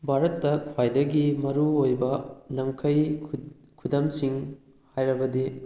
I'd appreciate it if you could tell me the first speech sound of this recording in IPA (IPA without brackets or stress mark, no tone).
bʱ